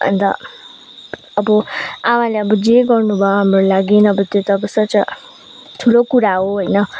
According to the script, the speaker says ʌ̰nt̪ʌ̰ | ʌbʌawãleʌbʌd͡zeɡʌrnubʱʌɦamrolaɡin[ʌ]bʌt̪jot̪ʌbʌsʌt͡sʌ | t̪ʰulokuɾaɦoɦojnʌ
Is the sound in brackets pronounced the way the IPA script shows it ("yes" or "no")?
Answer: yes